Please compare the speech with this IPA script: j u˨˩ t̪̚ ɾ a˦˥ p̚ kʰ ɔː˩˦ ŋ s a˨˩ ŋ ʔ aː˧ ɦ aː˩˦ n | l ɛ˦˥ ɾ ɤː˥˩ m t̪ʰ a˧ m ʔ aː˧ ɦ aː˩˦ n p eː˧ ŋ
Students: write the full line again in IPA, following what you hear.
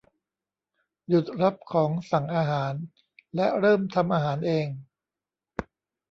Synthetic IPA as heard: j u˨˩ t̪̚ ɾ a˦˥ p̚ kʰ ɔː˩˦ ŋ s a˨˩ ŋ ʔ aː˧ ɦ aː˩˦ n | l ɛ˦˥ ɾ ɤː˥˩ m t̪ʰ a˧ m ʔ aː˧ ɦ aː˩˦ n ʔ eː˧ ŋ